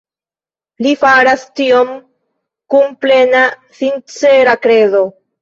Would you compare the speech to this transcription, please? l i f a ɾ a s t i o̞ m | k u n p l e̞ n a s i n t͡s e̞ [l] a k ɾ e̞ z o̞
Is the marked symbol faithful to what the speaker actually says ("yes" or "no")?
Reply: no